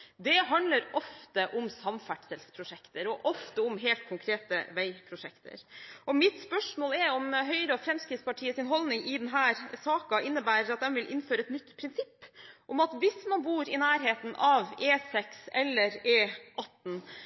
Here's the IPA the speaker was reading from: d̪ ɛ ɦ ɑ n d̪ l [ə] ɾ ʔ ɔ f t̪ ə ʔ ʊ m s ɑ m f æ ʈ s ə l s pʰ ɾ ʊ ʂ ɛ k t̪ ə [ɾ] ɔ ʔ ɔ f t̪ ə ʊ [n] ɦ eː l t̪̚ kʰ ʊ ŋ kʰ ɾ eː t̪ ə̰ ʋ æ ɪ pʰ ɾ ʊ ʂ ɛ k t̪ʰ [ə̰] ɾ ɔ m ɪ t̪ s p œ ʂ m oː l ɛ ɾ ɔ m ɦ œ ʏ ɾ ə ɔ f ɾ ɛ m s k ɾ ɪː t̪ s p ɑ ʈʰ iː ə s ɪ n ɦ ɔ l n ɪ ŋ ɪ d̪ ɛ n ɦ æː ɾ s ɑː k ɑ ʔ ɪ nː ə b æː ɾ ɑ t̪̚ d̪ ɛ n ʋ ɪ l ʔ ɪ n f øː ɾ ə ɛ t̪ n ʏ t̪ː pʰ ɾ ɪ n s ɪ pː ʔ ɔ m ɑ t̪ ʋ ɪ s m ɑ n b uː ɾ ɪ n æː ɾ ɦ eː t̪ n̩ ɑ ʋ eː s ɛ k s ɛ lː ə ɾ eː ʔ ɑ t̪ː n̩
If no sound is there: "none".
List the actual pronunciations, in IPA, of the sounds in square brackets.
ə, ɾ, m, ə̰

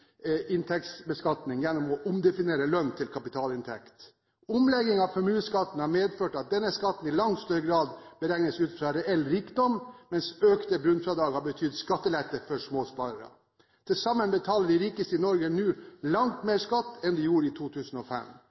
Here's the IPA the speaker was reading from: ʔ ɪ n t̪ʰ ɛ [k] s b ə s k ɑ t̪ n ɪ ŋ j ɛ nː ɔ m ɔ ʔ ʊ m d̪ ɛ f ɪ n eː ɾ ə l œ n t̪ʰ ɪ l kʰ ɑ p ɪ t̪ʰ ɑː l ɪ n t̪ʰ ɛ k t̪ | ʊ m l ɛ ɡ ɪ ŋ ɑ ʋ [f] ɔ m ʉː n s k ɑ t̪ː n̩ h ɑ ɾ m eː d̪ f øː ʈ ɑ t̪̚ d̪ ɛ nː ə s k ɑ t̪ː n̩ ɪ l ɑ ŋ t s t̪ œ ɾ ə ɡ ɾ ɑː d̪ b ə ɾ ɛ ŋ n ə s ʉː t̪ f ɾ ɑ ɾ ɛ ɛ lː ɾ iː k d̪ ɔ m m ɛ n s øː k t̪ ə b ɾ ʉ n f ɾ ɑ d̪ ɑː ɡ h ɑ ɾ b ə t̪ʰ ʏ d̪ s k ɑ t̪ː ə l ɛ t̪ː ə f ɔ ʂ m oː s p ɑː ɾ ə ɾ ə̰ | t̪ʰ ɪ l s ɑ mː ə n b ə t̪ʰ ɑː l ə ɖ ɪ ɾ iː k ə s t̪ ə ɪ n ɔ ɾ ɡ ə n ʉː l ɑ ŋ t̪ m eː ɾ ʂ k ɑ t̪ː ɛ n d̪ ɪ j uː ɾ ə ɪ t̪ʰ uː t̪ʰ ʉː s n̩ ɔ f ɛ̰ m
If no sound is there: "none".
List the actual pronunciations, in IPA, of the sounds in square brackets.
k, f

